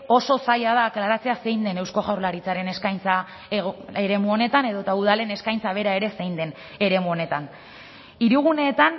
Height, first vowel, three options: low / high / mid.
mid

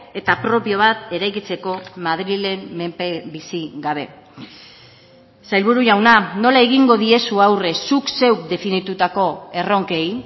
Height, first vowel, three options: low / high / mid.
mid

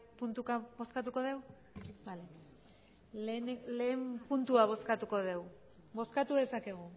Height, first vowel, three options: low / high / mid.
high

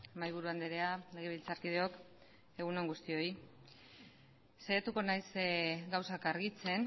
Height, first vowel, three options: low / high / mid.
low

